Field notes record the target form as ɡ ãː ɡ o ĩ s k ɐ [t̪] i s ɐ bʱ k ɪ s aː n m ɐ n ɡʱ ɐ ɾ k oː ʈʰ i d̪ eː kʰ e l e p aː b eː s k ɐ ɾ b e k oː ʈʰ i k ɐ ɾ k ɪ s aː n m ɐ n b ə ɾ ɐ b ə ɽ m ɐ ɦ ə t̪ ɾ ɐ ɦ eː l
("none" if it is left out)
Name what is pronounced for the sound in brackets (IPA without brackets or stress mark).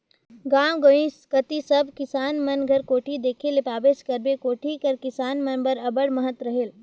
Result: t̪